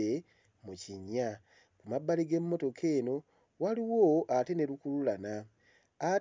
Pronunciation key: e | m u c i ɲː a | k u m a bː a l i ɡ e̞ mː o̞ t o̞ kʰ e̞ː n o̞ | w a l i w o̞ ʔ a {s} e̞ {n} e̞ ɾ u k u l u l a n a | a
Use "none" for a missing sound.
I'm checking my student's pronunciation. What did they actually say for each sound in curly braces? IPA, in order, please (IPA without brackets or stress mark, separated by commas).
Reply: t, n